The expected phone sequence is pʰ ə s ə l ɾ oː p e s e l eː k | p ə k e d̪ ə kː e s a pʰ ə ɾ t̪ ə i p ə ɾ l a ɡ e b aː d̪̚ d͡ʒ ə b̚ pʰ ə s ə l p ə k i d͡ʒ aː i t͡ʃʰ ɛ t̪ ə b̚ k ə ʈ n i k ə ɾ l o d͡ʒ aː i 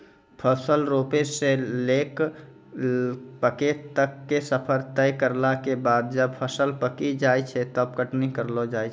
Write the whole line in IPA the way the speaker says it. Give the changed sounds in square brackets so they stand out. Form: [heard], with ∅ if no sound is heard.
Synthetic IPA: pʰ ə s ə l ɾ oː p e s e l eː k | p ə k e [t̪] ə kː e s [ə] pʰ ə ɾ t̪ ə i [k] ə ɾ l a [k] e b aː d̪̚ d͡ʒ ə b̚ pʰ ə s ə l p ə k i d͡ʒ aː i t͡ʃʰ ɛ t̪ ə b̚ k ə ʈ n i k ə ɾ l o d͡ʒ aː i